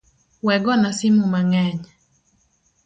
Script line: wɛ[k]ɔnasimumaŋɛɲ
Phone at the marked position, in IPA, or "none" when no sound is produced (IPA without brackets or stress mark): ɡ